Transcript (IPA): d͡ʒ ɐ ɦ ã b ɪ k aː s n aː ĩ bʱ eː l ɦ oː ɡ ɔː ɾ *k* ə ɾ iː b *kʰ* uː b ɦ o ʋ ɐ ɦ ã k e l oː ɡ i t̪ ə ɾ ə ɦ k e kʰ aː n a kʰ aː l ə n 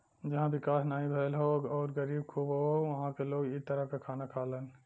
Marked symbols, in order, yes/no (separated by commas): no, yes